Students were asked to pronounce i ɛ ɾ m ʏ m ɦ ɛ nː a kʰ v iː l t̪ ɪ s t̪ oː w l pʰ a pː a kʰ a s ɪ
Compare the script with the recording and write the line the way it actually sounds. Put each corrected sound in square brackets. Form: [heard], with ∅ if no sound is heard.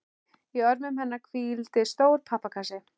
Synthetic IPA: i [œ] ɾ m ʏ m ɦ ɛ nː a kʰ v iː l t̪ ɪ s t̪ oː w [ɾ] pʰ a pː a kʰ a s ɪ